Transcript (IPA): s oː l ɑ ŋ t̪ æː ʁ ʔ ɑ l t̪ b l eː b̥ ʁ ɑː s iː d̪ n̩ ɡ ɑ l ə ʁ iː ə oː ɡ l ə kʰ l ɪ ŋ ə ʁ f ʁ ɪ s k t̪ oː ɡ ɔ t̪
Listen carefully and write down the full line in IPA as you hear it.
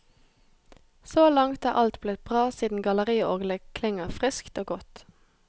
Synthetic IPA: s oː l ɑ ŋ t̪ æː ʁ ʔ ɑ l t̪ b l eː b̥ ʁ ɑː s iː d̪ n̩ ɡ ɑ l ə ʁ iː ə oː ɡ l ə kʰ l ɪ ŋ ə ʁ f ʁ ɪ s k t̪ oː ɡ ɔ t̪